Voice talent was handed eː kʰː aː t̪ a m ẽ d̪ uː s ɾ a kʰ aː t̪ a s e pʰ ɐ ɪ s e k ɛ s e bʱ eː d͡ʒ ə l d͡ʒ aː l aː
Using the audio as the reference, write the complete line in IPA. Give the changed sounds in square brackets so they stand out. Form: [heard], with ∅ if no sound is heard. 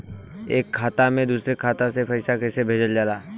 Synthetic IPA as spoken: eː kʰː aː t̪ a m ẽ d̪ uː s ɾ [e] kʰ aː t̪ a s e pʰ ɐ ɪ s [a] k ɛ s e bʱ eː d͡ʒ ə l d͡ʒ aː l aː

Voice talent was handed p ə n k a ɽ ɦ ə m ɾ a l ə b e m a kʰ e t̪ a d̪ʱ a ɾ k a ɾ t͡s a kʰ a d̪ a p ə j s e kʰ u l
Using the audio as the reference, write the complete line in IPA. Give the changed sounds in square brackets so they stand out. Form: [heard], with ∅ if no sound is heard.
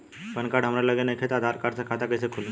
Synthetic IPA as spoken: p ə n k a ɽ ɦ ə m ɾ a l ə [ɡ] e [n] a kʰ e t̪ a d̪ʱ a ɾ k a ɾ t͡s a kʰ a [t̪] a [k] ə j s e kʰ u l

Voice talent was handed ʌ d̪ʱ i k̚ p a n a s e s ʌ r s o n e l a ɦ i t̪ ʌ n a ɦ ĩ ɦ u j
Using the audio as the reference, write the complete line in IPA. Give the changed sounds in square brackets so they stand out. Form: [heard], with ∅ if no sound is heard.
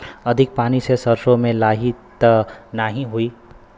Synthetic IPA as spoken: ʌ d̪ʱ i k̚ p a n [i] s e s ʌ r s o [m] e l a ɦ i t̪ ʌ n a ɦ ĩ ɦ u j

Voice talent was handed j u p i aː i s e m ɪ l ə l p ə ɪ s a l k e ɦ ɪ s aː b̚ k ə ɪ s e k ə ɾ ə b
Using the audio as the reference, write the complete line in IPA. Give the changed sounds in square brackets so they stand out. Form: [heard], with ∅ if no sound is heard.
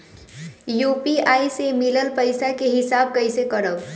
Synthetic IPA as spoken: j u p i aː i s e m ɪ l ə l p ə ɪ s a [∅] k e ɦ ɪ s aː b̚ k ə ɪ s e k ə ɾ ə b

